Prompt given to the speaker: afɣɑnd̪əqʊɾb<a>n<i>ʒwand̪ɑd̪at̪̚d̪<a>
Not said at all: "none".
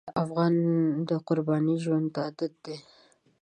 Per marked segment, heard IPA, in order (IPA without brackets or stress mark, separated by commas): ɑ, i, e